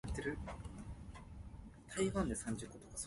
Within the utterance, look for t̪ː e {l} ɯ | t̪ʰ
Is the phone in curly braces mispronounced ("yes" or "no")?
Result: yes